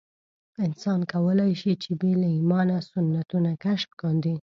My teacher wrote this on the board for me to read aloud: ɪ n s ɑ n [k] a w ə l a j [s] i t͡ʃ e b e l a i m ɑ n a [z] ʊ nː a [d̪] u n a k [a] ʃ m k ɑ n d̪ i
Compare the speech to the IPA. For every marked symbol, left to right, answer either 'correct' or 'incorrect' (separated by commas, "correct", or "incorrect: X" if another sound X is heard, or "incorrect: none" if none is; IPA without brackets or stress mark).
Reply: correct, incorrect: ʃ, incorrect: s, incorrect: t̪, correct